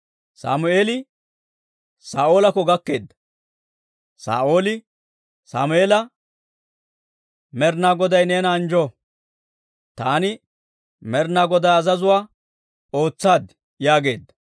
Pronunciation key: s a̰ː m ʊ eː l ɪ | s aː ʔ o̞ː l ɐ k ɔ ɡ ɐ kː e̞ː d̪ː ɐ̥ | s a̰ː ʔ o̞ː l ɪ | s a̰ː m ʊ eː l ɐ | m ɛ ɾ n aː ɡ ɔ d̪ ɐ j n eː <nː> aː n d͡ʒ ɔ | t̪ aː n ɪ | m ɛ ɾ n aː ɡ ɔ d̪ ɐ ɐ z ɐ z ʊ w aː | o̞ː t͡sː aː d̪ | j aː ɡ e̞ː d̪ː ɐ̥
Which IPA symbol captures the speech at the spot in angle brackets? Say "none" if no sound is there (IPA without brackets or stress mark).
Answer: n